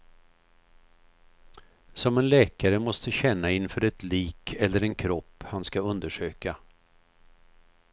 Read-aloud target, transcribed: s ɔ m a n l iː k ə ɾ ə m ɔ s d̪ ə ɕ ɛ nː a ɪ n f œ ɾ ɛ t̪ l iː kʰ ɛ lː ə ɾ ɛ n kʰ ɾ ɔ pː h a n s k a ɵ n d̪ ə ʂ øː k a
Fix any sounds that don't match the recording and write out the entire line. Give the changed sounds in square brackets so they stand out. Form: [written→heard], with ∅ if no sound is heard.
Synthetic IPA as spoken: s ɔ m [a→ɛ] n l [iː→ɛː] k [ə→a] ɾ ə m ɔ s [d̪→t̪] ə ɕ ɛ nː a ɪ n f œ ɾ ɛ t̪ l iː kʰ ɛ lː ə ɾ ɛ n kʰ ɾ ɔ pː h a n s k a ɵ n d̪ ə ʂ øː k a